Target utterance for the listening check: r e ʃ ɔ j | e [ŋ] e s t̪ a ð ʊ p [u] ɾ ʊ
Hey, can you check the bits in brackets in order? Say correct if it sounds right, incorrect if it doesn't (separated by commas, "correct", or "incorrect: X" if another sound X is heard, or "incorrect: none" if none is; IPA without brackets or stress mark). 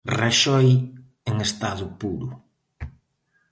correct, correct